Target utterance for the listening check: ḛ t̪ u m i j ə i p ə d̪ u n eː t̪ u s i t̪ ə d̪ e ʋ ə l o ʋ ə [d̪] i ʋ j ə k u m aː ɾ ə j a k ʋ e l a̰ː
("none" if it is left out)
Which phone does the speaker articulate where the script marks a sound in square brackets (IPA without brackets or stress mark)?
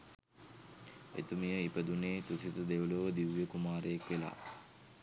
d̪